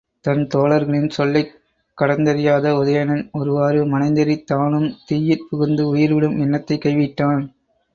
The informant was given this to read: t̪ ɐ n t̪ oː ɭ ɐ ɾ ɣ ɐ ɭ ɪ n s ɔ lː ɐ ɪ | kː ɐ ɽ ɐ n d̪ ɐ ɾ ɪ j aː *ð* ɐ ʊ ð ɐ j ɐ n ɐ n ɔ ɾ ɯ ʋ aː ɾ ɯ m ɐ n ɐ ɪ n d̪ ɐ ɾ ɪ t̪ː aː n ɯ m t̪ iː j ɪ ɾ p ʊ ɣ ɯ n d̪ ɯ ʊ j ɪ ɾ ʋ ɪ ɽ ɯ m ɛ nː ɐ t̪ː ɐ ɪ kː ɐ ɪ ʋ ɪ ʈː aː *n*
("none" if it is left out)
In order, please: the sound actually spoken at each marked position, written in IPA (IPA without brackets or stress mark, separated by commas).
ð, n